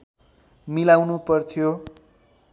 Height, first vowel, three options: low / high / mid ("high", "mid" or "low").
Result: high